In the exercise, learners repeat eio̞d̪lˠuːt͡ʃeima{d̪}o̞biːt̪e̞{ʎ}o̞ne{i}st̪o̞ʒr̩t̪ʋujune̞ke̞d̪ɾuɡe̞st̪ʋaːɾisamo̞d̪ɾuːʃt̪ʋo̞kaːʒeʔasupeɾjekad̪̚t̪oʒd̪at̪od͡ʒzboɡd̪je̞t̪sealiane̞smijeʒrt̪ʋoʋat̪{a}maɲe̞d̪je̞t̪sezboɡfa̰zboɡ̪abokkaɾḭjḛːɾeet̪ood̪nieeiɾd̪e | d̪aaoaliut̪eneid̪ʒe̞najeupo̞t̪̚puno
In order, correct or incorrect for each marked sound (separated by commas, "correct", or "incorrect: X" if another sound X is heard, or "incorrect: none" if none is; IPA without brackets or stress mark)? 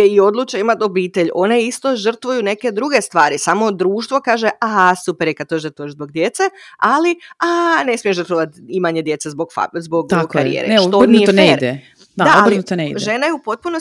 incorrect: t̪, correct, correct, incorrect: i